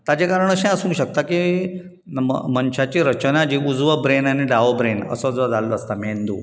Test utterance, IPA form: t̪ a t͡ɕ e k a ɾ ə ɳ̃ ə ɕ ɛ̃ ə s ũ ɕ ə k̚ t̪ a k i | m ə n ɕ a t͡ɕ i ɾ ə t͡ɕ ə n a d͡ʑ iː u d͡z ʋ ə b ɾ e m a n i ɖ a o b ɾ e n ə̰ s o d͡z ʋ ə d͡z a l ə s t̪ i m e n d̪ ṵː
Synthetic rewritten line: t̪ a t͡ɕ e k a ɾ ə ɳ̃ ə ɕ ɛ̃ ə s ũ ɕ ə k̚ t̪ a k i | m ə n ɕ a t͡ɕ i ɾ ə t͡ɕ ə n a d͡ʑ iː u d͡z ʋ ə b ɾ e n a n i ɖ a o b ɾ e n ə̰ s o d͡z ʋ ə d͡z a l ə s t̪ a m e n d̪ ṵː